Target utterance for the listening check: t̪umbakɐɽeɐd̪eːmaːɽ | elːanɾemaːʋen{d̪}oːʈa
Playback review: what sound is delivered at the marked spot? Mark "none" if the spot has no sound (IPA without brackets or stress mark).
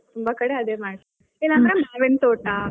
t̪